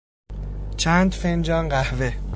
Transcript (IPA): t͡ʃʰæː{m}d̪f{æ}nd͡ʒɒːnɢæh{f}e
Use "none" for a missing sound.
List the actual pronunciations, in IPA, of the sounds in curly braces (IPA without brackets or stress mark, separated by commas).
n, e, v